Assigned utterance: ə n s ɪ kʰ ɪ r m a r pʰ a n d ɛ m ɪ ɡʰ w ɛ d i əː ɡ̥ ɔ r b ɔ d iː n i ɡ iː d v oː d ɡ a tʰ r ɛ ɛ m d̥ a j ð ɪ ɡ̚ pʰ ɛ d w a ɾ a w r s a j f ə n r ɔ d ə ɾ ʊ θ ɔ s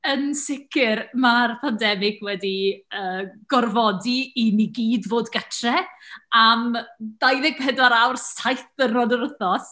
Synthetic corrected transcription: ə n s ɪ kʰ ɪ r m a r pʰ a n d ɛ m ɪ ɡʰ w ɛ d i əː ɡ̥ ɔ r v ɔ d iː n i ɡ iː d v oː d ɡ a tʰ r ɛ a m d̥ a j ð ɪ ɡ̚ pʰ ɛ d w a ɾ a w r s a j θ ə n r ɔ d ə ɾ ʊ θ ɔ s